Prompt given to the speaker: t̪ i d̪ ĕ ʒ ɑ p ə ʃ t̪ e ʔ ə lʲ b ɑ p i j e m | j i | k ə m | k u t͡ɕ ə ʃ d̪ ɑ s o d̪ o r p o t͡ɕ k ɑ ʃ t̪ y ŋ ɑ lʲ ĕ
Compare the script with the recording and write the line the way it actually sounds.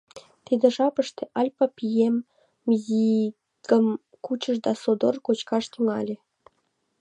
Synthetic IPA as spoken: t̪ i d̪ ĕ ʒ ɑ p ə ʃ t̪ e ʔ ɑ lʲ p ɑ p i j e m | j i | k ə m | k u t͡ɕ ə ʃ d̪ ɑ s o d̪ o r k o t͡ɕ k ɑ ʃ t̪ y ŋ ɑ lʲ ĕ

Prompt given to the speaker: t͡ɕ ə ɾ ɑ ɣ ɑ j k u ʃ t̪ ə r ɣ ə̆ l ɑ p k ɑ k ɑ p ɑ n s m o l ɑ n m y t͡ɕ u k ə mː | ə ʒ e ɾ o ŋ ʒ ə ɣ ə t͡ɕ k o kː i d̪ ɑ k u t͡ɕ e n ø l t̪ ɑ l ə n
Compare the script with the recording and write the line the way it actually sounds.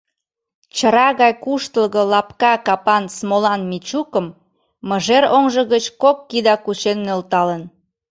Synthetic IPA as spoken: t͡ɕ ə ɾ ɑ ɣ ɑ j k u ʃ t̪ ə l ɣ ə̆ l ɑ p k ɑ k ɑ p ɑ n s m o l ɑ n m i t͡ɕ u k ə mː | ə ʒ e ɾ o ŋ ʒ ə ɣ ə t͡ɕ k o kː i d̪ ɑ k u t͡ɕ e nː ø l t̪ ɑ l ə n

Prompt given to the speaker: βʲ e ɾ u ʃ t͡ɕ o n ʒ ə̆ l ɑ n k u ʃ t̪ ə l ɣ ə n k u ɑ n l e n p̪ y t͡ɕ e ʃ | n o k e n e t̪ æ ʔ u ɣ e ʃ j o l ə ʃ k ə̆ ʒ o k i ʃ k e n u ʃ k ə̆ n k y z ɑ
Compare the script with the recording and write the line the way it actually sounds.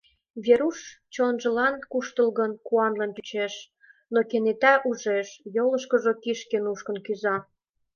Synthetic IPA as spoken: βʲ e ɾ u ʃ t͡ɕ o n ʒ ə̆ l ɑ n k u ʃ t̪ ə l ɣ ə n k u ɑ n l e n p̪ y t͡ɕ e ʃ | n o k e n e t̪ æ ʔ u ʒ e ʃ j o l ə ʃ k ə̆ ʒ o k i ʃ k e n u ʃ k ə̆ n k y z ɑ

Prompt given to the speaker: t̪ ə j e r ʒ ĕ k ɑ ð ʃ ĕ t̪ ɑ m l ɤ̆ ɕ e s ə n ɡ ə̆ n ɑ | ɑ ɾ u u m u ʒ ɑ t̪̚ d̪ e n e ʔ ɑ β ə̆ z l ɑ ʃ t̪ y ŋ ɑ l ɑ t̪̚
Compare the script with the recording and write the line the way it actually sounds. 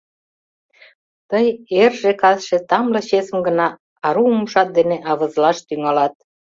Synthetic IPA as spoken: t̪ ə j e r ʒ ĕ k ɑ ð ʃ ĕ t̪ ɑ m l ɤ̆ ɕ e s ə m ɡ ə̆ n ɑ | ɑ ɾ u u m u ʃ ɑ t̪̚ d̪ e n e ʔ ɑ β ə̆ z l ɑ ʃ t̪ y ŋ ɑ l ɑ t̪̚

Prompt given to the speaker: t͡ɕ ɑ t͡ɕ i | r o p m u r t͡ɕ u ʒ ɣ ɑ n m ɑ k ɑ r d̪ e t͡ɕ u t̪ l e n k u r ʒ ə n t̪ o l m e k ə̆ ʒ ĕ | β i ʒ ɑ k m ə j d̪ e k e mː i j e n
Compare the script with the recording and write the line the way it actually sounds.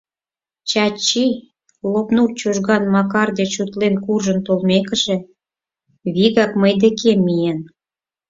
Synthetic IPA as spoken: t͡ɕ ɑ t͡ɕ i | l o p n u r t͡ɕ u ʒ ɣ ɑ n m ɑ k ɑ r d̪ e t͡ɕ u t̪ l e n k u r ʒ ə n t̪ o l m e k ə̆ ʒ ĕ | β i ɣ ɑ k m ə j d̪ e k e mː i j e n

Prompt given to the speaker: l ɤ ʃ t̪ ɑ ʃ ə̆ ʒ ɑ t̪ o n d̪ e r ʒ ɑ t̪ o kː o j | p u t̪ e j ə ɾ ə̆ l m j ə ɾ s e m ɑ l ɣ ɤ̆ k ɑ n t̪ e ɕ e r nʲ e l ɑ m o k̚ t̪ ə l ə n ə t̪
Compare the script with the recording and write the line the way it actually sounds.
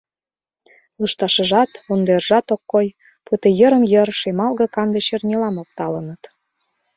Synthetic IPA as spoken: l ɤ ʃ t̪ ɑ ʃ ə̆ ʒ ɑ t̪ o n d̪ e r ʒ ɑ t̪ o kː o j | p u t̪ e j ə ɾ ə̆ m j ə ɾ ʃ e m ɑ l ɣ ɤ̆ k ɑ n d̪ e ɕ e r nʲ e l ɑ m o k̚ t̪ ɑ l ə n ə t̪

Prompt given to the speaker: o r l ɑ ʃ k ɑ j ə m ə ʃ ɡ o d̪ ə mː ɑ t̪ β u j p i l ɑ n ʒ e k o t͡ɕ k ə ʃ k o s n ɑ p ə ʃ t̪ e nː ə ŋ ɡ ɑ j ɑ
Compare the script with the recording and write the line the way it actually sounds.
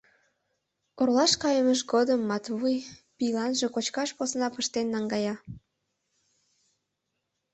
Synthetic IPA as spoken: o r l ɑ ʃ k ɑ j ə m ə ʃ ɡ o d̪ ə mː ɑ t̪ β u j p i l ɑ n ʒ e k o t͡ɕ k ɑ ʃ p o s n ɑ p ə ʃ t̪ e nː ɑ ŋ ɡ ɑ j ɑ

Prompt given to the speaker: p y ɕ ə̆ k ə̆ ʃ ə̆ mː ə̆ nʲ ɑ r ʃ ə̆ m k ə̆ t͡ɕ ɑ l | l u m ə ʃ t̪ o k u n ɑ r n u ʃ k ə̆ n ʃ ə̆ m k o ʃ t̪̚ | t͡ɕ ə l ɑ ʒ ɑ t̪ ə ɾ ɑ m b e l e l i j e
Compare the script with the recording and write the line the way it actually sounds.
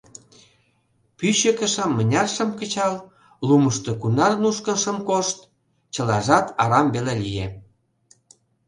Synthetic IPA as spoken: p y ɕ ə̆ k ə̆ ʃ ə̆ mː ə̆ nʲ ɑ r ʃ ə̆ m k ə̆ t͡ɕ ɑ l | l u m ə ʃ t̪ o k u n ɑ r n u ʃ k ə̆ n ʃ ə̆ m k o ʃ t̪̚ | t͡ɕ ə l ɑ ʒ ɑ t̪ ɑ ɾ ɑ m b e l e l i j e

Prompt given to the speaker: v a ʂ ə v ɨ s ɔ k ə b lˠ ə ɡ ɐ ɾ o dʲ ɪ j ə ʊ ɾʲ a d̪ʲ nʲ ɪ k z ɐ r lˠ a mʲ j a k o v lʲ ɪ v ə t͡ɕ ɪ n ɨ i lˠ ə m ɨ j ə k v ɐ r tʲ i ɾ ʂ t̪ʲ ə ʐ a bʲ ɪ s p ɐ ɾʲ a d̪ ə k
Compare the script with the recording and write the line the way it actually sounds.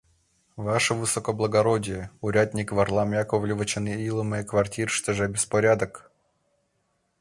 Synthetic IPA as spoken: v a ʂ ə v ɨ s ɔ k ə b lˠ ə ɡ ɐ ɾ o dʲ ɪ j ə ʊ ɾʲ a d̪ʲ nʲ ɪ k v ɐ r lˠ a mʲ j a k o v lʲ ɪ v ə t͡ɕ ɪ n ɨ i lˠ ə m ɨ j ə k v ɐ r tʲ i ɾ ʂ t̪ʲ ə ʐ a bʲ ɪ s p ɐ ɾʲ a d̪ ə k

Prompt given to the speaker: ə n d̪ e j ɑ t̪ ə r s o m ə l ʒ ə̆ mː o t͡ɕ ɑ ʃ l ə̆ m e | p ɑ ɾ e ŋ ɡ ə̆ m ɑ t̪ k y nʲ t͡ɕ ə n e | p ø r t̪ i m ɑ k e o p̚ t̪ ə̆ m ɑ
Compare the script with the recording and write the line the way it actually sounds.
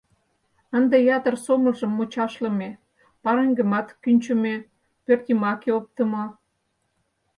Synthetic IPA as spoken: ə n d̪ e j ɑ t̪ ə r s o m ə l ʒ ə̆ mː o t͡ɕ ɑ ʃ l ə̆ m e | p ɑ ɾ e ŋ ɡ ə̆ m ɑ t̪ k y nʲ t͡ɕ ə m e | p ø r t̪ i m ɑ k e o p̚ t̪ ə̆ m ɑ

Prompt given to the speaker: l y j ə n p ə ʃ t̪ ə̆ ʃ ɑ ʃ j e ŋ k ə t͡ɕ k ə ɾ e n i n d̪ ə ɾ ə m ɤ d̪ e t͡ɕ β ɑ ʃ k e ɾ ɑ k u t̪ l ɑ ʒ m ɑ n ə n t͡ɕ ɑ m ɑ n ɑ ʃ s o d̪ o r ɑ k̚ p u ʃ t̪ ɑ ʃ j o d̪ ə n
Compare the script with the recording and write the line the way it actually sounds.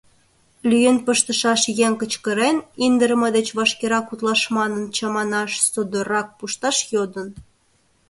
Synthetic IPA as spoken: l y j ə n p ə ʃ t̪ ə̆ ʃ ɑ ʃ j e ŋ k ə t͡ɕ k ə ɾ e n i n d̪ ə ɾ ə m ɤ d̪ e t͡ɕ β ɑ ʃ k e ɾ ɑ k u t̪ l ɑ ʃ m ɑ n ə n t͡ɕ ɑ m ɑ n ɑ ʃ s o d̪ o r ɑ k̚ p u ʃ t̪ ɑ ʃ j o d̪ ə n

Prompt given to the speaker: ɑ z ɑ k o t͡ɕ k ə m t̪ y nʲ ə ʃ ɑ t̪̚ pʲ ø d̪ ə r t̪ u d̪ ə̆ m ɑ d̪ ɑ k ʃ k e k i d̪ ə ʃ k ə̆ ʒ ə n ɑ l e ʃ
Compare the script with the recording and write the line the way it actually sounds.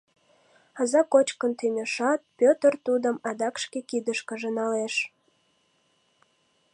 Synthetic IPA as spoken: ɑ z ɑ k o t͡ɕ k ə n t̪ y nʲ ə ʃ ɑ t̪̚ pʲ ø t̪ ə r t̪ u d̪ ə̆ m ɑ d̪ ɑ k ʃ k e k i d̪ ə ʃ k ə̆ ʒ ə n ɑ l e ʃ

